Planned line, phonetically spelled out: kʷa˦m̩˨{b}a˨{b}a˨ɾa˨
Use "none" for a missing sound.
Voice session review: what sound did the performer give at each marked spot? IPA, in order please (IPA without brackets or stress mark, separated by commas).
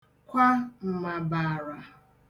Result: m, b